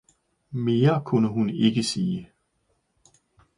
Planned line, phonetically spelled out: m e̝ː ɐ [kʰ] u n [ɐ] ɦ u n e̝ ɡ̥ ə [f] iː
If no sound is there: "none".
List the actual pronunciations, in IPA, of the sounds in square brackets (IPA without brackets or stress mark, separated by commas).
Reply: kʰ, ə, s